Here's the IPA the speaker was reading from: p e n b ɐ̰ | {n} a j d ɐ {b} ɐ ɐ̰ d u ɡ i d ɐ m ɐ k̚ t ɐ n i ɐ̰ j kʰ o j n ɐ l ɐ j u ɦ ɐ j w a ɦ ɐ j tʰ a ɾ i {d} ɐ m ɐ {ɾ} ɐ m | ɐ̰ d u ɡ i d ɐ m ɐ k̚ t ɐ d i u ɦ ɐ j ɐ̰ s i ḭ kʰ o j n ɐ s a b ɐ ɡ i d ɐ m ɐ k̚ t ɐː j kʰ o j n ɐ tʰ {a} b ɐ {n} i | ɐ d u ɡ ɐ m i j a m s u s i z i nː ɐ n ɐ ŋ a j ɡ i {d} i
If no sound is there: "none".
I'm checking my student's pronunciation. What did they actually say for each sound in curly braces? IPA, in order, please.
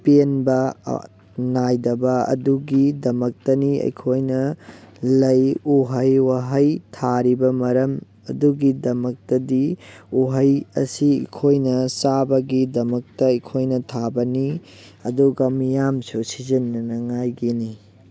n, b, b, ɾ, a, n, n

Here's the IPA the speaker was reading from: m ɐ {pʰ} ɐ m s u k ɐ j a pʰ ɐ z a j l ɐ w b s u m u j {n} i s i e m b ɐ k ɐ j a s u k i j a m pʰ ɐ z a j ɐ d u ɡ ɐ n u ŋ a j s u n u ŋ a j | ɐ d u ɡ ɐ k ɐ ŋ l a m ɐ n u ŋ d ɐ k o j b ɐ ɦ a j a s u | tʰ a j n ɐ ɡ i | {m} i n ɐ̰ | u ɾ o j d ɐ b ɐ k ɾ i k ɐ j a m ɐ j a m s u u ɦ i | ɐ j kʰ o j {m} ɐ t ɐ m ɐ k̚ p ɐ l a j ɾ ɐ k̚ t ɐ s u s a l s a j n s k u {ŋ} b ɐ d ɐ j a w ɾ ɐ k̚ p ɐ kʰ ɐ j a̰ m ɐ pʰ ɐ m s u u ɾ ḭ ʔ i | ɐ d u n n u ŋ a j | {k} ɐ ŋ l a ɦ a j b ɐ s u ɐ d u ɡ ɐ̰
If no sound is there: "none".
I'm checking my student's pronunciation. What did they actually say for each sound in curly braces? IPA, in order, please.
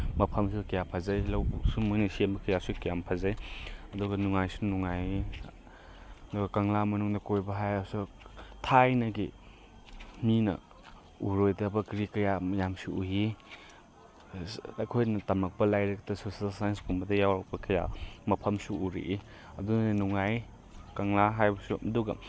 pʰ, n, m, n, m, k

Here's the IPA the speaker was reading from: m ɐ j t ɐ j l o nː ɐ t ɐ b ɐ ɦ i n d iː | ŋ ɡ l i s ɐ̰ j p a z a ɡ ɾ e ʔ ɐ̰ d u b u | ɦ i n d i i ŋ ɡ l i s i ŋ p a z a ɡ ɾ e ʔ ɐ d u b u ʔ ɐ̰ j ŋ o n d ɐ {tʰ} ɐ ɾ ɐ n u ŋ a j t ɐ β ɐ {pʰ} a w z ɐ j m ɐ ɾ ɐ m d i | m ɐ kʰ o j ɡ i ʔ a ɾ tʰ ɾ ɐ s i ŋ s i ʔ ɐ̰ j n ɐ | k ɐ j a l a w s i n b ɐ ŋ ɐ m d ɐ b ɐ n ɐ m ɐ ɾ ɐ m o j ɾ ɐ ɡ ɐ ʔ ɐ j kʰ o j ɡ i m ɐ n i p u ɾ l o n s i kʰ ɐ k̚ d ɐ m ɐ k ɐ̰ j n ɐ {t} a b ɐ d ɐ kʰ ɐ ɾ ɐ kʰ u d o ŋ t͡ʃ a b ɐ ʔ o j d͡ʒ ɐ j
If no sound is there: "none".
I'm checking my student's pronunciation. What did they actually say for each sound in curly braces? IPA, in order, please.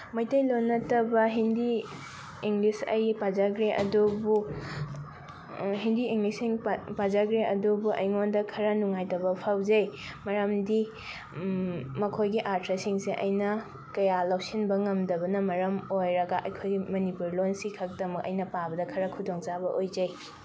kʰ, pʰ, p

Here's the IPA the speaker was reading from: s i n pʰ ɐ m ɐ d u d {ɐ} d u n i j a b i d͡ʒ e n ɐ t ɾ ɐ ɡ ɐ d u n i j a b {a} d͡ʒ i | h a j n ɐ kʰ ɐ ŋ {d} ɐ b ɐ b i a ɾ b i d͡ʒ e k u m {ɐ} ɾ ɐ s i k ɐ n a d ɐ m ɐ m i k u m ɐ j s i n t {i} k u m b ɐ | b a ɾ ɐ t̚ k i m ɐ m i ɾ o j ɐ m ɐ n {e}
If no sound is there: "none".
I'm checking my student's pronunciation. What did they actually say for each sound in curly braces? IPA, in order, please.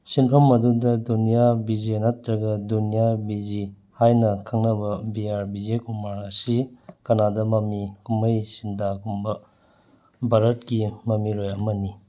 ɐ, i, n, a, a, i

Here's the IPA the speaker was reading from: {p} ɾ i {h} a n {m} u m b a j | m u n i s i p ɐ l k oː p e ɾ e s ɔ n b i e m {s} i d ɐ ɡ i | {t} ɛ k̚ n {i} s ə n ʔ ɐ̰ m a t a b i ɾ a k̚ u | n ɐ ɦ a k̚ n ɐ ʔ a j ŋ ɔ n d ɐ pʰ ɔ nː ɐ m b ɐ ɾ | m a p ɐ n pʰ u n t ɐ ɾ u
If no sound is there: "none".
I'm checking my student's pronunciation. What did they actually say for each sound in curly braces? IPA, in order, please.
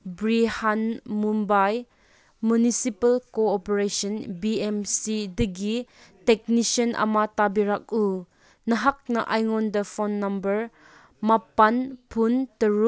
b, h, m, s, t, i

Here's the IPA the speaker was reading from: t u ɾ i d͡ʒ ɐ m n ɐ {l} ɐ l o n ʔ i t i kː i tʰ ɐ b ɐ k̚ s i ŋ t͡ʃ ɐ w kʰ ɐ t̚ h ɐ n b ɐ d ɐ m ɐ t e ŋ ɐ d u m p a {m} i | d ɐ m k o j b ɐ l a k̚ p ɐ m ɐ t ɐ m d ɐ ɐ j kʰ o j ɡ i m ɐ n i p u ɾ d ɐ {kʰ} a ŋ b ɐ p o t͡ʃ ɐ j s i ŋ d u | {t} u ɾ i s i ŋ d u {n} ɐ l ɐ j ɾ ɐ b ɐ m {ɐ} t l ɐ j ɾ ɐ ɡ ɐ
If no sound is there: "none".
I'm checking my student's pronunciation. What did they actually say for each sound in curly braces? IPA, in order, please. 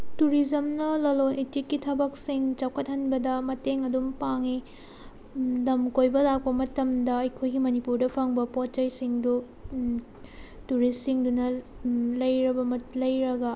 l, ŋ, pʰ, t, n, ɐ

